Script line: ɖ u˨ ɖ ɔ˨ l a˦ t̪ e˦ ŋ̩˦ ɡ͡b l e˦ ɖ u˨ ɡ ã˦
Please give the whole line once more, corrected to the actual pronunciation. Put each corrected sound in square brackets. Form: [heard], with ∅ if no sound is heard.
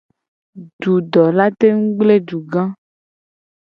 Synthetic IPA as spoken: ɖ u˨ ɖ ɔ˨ l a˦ t̪ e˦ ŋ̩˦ ɡ͡b l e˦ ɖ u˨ ɡ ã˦